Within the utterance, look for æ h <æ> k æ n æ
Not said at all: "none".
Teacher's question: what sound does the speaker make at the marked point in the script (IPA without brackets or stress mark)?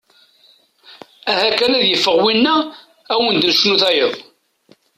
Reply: æ